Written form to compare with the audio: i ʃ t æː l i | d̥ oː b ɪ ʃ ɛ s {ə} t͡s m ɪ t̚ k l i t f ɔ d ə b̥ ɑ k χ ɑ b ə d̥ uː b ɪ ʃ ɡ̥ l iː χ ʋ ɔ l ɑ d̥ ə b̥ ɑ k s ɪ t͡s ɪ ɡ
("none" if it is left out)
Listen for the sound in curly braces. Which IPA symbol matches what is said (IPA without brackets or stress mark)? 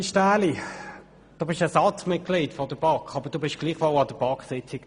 ɑ